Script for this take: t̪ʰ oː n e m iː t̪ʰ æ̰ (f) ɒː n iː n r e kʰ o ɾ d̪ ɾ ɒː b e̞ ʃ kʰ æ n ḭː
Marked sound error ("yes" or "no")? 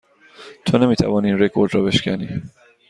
yes